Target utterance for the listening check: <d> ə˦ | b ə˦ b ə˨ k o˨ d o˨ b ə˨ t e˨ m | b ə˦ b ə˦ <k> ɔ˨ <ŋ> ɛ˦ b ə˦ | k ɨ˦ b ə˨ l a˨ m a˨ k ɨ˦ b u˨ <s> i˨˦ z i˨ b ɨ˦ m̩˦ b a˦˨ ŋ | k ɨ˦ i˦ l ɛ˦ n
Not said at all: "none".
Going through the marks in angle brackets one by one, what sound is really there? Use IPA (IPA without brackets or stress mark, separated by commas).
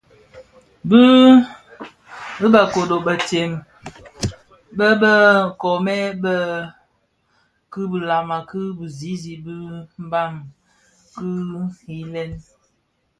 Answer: b, k, m, z